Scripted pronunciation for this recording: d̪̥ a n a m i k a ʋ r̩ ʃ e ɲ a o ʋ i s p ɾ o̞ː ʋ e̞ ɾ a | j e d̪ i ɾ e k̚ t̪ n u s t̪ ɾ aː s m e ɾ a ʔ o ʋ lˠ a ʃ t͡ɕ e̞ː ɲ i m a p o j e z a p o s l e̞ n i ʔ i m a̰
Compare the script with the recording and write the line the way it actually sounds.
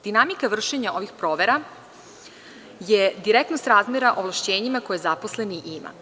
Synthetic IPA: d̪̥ i n a m i k a ʋ r̩ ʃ e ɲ a o ʋ i x p ɾ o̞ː ʋ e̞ ɾ a | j e d̪ i ɾ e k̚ t̪ n o s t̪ ɾ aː z m e ɾ a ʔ o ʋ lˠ a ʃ t͡ɕ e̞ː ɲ i m a k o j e z a p o s l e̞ n i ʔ i m a̰

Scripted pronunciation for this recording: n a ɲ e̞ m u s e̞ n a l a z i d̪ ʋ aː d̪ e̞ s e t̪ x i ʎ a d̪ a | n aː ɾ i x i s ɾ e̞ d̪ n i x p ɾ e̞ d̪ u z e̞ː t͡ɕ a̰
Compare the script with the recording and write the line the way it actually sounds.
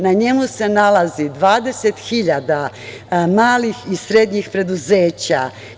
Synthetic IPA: n a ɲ e̞ m u s e̞ n a l a z i d̪ ʋ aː d̪ e̞ s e t̪ x i ʎ a d̪ a | m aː l i x i s ɾ e̞ d̪ ɲ i x p ɾ e̞ d̪ u z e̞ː t͡ɕ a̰

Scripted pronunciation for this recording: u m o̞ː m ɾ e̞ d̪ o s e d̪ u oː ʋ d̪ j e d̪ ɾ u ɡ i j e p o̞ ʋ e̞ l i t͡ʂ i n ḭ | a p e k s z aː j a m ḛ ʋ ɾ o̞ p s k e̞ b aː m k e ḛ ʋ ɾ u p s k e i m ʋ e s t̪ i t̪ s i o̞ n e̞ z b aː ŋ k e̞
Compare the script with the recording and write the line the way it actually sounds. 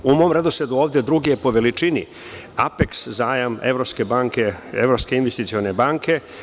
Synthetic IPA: u m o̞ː m ɾ e̞ d̪ o s e d̪ u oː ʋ d̪ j e d̪ ɾ u ɡ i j e p o̞ ʋ e̞ l i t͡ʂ i n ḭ | a p e k s z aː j a m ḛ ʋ ɾ o̞ p s k e̞ b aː ŋ k e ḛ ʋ ɾ o p s k e i n ʋ e s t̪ i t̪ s i o̞ n e̞ b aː ŋ k e̞

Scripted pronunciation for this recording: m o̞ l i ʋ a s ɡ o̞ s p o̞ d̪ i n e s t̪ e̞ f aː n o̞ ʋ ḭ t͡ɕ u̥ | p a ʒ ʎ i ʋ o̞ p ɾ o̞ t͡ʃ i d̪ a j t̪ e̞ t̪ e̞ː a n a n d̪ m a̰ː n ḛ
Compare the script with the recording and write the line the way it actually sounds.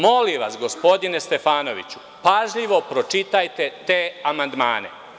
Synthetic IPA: m o̞ l i ʋ a s ɡ o̞ s p o̞ d̪ i n e s t̪ e̞ f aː n o̞ ʋ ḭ t͡ɕ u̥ | p a ʒ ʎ i ʋ o̞ p ɾ o̞ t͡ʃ i t̪ a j t̪ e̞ t̪ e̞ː a m a n d̪ m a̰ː n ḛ

